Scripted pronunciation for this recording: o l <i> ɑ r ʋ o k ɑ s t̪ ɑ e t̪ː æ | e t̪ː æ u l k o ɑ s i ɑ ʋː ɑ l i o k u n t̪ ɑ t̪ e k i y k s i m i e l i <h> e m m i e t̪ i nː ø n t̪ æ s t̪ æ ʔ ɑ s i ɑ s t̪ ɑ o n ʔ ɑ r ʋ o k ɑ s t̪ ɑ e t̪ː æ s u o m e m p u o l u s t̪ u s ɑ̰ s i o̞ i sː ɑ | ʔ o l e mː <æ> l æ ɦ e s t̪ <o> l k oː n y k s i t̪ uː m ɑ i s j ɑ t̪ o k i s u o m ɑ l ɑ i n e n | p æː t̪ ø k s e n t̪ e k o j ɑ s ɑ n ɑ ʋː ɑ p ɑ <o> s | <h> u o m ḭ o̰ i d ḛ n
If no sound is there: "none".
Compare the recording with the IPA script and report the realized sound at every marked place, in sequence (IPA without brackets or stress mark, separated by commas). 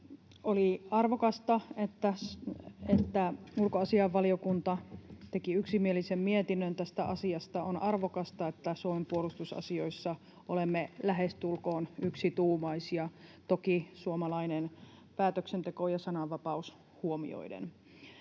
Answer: i, s, e, u, u, h